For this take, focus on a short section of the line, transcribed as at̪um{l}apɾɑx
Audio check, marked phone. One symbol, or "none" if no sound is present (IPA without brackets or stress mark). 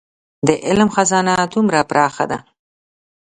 ɾ